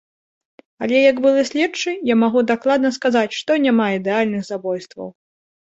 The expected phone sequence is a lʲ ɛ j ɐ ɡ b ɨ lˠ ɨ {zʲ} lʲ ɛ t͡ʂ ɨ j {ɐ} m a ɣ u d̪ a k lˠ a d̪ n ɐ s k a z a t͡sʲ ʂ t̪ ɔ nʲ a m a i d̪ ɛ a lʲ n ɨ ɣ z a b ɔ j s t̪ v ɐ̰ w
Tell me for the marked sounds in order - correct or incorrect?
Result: incorrect, incorrect

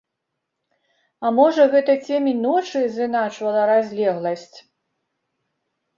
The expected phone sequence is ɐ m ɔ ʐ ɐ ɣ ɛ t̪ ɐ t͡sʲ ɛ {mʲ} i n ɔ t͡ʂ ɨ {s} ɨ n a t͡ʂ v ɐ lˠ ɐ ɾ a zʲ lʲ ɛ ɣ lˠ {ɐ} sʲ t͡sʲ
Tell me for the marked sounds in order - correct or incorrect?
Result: correct, incorrect, correct

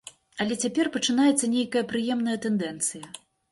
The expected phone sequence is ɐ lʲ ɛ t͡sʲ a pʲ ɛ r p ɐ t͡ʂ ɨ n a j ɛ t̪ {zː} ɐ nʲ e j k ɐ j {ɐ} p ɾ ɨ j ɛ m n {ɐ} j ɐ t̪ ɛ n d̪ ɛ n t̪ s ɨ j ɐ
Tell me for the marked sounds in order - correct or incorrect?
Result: incorrect, correct, correct

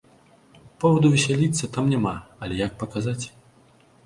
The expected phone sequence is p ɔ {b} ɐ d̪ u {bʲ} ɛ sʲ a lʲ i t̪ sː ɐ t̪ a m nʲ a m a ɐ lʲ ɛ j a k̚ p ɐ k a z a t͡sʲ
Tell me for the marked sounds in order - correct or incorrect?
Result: incorrect, incorrect

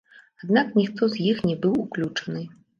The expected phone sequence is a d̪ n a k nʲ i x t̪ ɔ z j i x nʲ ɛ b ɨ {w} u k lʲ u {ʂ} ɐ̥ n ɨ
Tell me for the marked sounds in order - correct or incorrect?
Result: correct, incorrect

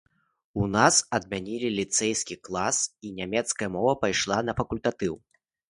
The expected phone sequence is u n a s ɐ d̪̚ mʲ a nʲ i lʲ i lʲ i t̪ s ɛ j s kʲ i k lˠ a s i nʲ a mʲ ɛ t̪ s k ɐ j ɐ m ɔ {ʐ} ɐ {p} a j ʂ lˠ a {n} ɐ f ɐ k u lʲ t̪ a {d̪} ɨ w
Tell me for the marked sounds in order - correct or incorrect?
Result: incorrect, correct, correct, incorrect

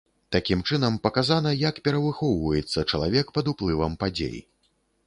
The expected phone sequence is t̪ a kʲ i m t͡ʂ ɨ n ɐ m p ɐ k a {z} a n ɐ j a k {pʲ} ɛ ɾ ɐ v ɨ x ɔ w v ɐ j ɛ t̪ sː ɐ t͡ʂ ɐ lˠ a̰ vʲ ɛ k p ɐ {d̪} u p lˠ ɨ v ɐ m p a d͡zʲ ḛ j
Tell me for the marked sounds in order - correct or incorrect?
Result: correct, correct, correct

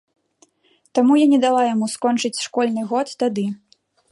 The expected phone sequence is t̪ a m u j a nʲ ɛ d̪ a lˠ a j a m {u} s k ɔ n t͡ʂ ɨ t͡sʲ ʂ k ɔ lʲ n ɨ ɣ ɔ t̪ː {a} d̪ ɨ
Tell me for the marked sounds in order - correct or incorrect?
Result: correct, correct

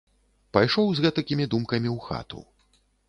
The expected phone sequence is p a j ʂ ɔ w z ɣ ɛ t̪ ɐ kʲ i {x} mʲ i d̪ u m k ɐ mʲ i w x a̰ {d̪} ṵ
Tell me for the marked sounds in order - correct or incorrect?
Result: incorrect, incorrect

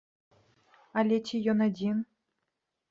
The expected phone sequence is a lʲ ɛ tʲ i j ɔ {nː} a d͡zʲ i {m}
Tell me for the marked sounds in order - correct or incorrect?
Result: incorrect, incorrect

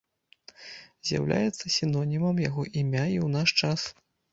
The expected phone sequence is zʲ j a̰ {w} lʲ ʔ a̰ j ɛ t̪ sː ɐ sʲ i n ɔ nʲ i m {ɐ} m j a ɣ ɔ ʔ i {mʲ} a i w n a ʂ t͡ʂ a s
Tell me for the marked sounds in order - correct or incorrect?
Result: correct, correct, correct

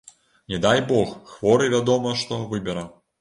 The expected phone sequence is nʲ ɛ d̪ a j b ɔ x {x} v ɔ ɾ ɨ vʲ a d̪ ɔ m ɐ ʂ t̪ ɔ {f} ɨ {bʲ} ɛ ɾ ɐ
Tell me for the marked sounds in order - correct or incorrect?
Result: correct, incorrect, correct

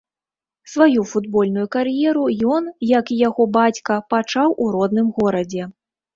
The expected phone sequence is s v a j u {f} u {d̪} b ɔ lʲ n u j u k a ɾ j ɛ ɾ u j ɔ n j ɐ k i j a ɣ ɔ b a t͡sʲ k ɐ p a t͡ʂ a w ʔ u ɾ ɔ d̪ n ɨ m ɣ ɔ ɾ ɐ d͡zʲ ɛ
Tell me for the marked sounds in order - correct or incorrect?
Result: correct, correct

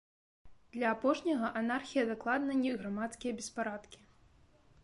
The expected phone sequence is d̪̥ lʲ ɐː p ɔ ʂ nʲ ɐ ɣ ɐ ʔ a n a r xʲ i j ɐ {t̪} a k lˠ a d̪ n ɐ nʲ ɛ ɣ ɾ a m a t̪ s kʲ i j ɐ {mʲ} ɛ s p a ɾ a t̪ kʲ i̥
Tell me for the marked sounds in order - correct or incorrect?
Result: incorrect, incorrect

